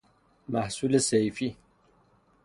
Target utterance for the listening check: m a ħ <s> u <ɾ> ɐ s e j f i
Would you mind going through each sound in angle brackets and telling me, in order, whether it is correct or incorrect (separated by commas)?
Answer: correct, incorrect